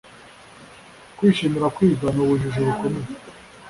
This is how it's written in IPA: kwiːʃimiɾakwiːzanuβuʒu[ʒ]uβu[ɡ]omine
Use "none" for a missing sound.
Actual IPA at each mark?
ʒ, k

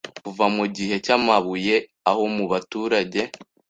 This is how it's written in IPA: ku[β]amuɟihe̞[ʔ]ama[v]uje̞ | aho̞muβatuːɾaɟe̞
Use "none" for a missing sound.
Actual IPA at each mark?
v, c, β

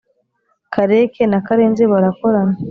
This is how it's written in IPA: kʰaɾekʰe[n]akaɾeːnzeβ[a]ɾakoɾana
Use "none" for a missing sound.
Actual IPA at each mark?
n, a

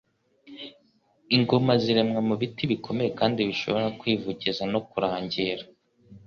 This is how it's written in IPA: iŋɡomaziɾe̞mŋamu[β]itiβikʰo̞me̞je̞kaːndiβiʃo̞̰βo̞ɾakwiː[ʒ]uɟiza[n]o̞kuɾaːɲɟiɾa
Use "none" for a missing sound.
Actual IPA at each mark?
β, v, n

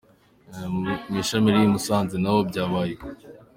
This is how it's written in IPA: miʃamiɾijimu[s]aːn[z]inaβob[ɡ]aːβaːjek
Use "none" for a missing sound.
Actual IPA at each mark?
s, z, ɟ

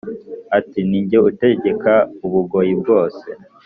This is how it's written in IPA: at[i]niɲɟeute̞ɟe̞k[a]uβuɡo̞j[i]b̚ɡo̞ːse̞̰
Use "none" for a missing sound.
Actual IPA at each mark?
i, a, i

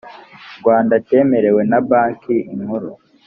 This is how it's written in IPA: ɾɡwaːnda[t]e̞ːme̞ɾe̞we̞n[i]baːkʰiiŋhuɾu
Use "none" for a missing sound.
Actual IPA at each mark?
t, a

